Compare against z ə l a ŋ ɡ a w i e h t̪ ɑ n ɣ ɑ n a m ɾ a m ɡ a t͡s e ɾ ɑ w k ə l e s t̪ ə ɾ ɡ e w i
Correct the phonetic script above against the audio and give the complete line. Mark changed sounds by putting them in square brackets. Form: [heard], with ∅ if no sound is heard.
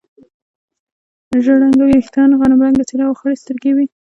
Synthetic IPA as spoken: [ʒ] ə [ɽ] a ŋ ɡ a w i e [x] t̪ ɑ n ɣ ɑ n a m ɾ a [ŋ] ɡ a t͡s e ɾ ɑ w [x] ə [ɽ] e s t̪ ə ɾ ɡ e w i